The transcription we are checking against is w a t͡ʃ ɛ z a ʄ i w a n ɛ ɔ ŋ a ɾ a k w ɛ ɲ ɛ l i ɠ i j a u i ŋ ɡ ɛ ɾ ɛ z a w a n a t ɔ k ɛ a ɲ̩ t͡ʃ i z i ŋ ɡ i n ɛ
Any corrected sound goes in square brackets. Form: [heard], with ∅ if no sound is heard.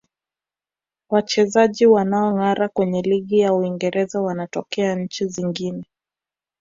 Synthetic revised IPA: w a t͡ʃ ɛ z a ʄ i w a n [a] ɔ ŋ a ɾ a k w ɛ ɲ ɛ l i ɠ i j a u i ŋ ɡ ɛ ɾ ɛ z a w a n a t ɔ k ɛ a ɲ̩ t͡ʃ i z i ŋ ɡ i n ɛ

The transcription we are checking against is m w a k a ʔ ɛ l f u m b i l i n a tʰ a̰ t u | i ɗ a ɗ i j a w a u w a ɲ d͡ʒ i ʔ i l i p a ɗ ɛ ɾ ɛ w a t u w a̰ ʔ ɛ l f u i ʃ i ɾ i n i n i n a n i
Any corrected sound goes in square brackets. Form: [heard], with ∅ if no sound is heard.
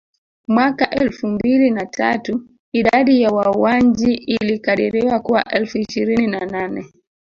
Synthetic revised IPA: m w a k a ʔ ɛ l f u m b i l i n a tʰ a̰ t u | i ɗ a ɗ i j a w a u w a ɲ d͡ʒ i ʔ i l i [k] a ɗ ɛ ɾ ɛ w a [k] u w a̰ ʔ ɛ l f u i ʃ i ɾ i n i n [a] n a n [ɛ]

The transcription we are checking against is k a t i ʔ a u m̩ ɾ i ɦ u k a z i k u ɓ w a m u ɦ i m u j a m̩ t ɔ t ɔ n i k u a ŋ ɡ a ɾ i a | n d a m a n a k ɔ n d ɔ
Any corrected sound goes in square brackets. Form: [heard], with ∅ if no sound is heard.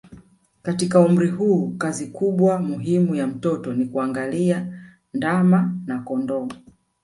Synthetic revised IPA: k a t i [k] a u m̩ ɾ i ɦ [uː] k a z i k u ɓ w a m u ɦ i m u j a m̩ t ɔ t ɔ n i k u a ŋ ɡ a [l] i a | n d a m a n a k ɔ n d ɔ

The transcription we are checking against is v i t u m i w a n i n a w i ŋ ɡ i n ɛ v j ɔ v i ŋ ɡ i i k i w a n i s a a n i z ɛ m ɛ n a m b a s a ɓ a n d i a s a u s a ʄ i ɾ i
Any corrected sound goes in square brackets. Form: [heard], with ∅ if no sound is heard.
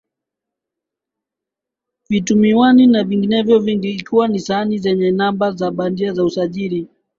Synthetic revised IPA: v i t u m i w a n i n a [v] i ŋ ɡ i n ɛ v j ɔ v i ŋ ɡ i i k i w a n i s a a n i z ɛ [ɲ] ɛ n a m b a [z] a ɓ a n d i a [z] a u s a ʄ i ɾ i

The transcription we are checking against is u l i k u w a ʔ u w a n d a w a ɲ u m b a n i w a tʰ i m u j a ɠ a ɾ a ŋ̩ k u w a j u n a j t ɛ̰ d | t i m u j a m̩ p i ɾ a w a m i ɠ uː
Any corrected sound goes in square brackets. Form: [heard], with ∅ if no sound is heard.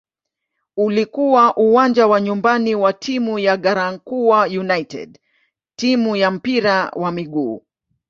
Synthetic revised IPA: u l i k u w a ʔ u w a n [d͡ʒ] a w a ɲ u m b a n i w a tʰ i m u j a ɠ a ɾ a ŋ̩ k u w a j u n a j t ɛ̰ d | t i m u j a m̩ p i ɾ a w a m i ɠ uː

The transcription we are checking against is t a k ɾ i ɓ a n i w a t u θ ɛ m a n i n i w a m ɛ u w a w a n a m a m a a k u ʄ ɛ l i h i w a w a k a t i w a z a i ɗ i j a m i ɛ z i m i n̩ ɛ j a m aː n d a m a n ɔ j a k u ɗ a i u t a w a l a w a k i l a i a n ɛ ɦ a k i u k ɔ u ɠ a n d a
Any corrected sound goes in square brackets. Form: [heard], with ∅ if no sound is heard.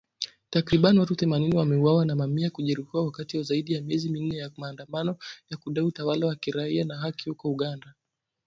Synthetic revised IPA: t a k ɾ i ɓ a n i w a t u θ ɛ m a n i n i w a m ɛ u w a w a n a m a m [i] a k u ʄ ɛ [ɾ] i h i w a w a k a t i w a z a i ɗ i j a m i ɛ z i m i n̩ ɛ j a m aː n d a m a n ɔ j a k u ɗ a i u t a w a l a w a k i [ɾ] a i a n [a] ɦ a k i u k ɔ u ɠ a n d a

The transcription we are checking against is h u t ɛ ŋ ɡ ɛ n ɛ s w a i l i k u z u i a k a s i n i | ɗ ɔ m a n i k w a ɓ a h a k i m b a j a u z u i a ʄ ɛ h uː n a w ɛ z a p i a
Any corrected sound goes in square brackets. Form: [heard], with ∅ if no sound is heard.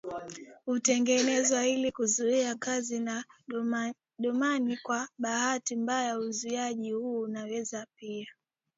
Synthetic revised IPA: h u t ɛ ŋ ɡ ɛ n ɛ [z] w a i l i k u z u i a k a [z] i n [a] | ɗ ɔ m a n i k w a ɓ a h a [t] i m b a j a u z u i a ʄ [i] h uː n a w ɛ z a p i a

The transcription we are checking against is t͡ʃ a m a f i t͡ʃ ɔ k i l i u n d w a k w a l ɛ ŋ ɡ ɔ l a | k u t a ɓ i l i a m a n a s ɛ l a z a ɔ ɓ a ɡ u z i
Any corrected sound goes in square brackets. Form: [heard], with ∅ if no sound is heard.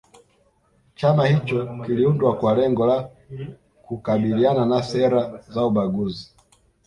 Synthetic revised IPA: t͡ʃ a m a [h] i t͡ʃ ɔ k i l i u n d w a k w a l ɛ ŋ ɡ ɔ l a | k u [k] a ɓ i l i a [n] a n a s ɛ [ɾ] a z a [u] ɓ a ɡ u z i

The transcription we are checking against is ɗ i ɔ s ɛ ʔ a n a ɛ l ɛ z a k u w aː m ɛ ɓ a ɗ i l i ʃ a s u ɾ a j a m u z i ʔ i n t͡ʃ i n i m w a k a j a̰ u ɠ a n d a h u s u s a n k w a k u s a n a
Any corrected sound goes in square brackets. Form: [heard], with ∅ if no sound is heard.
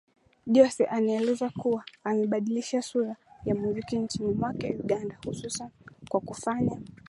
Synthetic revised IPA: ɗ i ɔ s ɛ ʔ a n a ɛ l ɛ z a k u w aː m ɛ ɓ a ɗ i l i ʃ a s u ɾ a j a m u z i [k] i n t͡ʃ i n i m w a k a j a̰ u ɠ a n d a h u s u s a n k w a k u [f] a [ɲ] a

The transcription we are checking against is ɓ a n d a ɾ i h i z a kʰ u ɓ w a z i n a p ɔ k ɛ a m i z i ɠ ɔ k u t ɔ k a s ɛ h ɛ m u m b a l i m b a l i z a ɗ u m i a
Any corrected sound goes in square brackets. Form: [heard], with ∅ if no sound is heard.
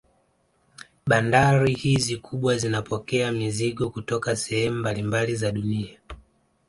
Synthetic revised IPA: ɓ a n d a ɾ i h i z [i] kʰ u ɓ w a z i n a p ɔ k ɛ a m i z i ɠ ɔ k u t ɔ k a s ɛ h ɛ m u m b a l i m b a l i z a ɗ u [n] i a

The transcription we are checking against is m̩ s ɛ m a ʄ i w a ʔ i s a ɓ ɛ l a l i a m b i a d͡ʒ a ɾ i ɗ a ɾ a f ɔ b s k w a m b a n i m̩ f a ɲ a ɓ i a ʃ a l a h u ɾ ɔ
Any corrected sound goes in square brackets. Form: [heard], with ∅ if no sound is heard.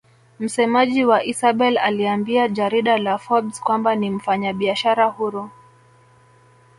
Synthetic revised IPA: m̩ s ɛ m a ʄ i w a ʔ i s a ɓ ɛ l a l i a m b i a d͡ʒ a ɾ i ɗ a [l] a f ɔ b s k w a m b a n i m̩ f a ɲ a ɓ i a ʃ a [ɾ] a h u ɾ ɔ

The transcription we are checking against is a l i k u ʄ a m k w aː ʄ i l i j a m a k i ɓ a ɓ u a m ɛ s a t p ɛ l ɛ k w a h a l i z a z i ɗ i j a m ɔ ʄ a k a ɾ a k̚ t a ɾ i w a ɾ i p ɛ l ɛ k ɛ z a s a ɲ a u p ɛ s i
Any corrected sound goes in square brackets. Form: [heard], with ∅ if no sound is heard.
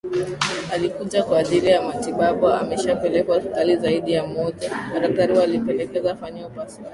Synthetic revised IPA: a l i k u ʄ a [∅] k w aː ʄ i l i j a m a [t] i ɓ a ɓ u a m ɛ [ʃ] a [∅] p ɛ l ɛ k w a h a l i z a [∅] i ɗ i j a m ɔ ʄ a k a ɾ a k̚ t a ɾ i w a [l] i p ɛ l ɛ k ɛ z a [f] a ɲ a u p [a] s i

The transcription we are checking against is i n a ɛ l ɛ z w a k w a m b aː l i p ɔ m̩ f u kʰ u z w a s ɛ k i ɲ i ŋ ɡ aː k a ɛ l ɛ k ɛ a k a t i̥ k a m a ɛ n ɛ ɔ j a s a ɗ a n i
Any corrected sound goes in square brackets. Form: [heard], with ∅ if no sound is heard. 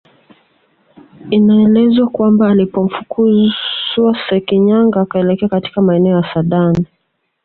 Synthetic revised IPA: i n a ɛ l ɛ z w a k w a m b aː l i p ɔ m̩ f u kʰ u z w a s ɛ k i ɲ [a] ŋ ɡ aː k a ɛ l ɛ k ɛ a k a t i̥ k a m a ɛ n ɛ ɔ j a s a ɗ a n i

